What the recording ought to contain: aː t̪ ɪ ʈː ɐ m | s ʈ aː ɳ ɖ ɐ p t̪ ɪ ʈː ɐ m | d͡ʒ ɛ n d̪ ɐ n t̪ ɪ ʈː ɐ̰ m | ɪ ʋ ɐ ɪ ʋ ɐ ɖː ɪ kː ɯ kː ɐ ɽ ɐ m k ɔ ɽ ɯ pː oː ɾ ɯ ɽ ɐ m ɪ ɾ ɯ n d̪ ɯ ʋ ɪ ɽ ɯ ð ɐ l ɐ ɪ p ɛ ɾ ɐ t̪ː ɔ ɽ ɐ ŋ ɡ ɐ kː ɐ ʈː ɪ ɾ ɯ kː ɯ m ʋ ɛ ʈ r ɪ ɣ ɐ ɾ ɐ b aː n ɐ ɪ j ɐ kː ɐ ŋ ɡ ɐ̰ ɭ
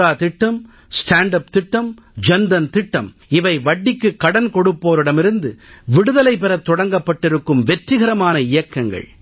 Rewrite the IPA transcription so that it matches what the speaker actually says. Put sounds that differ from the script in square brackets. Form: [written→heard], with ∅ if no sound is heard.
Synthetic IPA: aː t̪ ɪ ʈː ɐ m | s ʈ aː ɳ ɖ ɐ p t̪ ɪ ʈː ɐ m | d͡ʒ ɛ n d̪ ɐ n t̪ ɪ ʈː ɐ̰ m | ɪ ʋ ɐ ɪ ʋ ɐ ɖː ɪ kː ɯ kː ɐ ɽ ɐ [m→n] k ɔ ɽ ɯ pː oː ɾ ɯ ɽ ɐ m ɪ ɾ ɯ n d̪ ɯ ʋ ɪ ɽ ɯ ð ɐ l ɐ ɪ p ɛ ɾ ɐ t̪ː ɔ ɽ ɐ ŋ ɡ ɐ [kː→pː] ɐ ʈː ɪ ɾ ɯ kː ɯ m ʋ ɛ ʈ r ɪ ɣ ɐ ɾ ɐ [b→m] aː n ɐ ɪ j ɐ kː ɐ ŋ ɡ ɐ̰ ɭ